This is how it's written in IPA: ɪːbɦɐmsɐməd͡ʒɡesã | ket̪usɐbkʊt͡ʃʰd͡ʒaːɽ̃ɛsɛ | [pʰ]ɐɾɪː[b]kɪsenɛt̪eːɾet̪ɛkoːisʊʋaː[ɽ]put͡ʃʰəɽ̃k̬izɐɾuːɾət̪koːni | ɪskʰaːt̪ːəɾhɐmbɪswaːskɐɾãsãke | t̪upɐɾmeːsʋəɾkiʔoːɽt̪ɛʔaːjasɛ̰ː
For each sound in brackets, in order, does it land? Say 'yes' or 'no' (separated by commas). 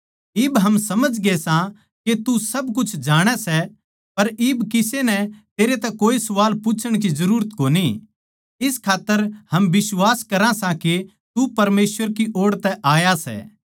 no, yes, no